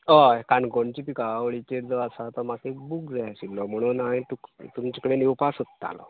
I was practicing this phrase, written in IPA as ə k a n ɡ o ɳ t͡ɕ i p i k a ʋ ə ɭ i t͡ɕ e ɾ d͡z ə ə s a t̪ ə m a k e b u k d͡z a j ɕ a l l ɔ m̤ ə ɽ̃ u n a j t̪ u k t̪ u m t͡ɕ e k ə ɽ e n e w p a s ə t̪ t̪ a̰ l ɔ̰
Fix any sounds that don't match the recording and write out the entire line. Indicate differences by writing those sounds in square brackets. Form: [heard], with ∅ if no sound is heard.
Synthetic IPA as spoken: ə k a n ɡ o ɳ t͡ɕ i p i k a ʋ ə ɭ i t͡ɕ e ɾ d͡z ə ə s a t̪ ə m a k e b u k d͡z a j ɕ [i] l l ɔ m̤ ə ɽ̃ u n a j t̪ u k t̪ u m t͡ɕ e k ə ɽ e n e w p a s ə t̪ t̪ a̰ l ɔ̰